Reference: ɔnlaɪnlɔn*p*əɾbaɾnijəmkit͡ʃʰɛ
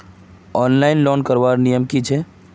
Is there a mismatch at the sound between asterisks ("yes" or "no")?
yes